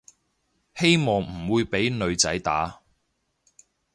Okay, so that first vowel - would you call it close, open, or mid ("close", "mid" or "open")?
mid